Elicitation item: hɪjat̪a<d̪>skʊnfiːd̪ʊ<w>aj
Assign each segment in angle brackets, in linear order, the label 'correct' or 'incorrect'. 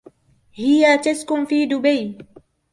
incorrect: none, incorrect: b

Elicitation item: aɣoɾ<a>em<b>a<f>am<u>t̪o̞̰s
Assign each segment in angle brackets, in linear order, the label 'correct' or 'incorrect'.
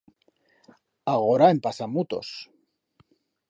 correct, incorrect: p, incorrect: s, correct

